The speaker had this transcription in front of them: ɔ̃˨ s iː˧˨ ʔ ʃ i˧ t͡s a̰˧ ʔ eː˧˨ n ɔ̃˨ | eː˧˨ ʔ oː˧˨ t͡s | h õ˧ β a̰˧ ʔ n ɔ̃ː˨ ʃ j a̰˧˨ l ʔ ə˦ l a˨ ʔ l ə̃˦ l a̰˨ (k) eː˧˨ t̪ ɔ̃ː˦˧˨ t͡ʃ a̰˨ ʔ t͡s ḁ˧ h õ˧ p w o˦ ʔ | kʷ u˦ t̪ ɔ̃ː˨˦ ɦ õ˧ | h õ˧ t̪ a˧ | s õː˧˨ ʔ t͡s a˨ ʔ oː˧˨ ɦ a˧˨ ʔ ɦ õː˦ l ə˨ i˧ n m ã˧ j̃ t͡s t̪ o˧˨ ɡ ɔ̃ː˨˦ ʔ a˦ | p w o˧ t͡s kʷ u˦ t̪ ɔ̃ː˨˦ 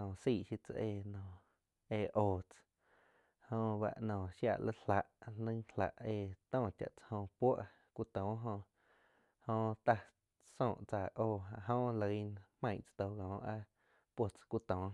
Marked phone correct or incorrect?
incorrect: ʔ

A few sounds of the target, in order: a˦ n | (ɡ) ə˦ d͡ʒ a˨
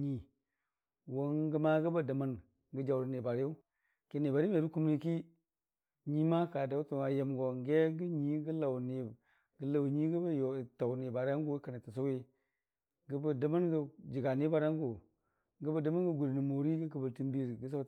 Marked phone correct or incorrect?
correct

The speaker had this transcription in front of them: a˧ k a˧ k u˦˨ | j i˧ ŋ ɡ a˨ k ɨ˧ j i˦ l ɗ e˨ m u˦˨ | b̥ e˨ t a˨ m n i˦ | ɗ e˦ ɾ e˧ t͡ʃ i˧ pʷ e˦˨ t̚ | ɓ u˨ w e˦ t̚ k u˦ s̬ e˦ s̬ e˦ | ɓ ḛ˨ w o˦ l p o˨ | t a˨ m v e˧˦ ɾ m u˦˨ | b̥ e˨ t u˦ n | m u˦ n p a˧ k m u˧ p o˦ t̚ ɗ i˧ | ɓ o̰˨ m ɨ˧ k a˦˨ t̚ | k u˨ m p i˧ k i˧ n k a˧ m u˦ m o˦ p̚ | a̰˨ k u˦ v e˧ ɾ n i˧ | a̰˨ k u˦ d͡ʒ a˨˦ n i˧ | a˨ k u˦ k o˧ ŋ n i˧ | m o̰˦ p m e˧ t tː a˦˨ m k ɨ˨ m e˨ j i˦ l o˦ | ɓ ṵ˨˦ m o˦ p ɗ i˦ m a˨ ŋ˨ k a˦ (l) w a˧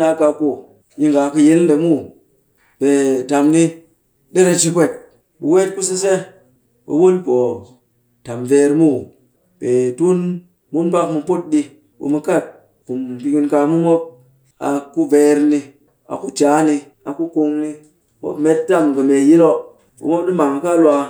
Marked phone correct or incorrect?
correct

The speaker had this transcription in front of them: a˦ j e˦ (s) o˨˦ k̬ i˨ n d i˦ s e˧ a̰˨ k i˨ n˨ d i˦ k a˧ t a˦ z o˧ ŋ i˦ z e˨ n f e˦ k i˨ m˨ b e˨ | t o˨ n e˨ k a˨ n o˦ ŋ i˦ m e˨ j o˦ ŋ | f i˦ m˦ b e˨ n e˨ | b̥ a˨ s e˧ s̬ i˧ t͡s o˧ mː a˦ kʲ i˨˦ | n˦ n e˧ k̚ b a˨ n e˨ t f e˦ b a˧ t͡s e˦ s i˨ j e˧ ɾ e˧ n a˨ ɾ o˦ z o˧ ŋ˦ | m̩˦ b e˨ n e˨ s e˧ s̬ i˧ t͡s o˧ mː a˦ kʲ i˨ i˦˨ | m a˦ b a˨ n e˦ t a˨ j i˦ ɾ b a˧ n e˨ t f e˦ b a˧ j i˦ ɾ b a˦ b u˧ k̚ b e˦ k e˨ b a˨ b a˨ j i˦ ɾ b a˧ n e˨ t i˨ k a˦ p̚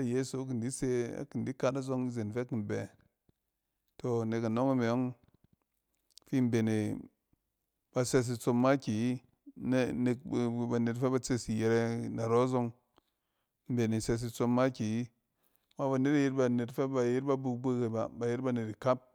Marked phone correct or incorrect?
correct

